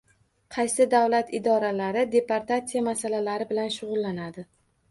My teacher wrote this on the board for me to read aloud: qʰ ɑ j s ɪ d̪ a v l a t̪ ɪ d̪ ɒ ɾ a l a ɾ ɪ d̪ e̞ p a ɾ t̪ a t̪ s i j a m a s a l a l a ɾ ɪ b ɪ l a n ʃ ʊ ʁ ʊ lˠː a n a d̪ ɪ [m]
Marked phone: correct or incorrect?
incorrect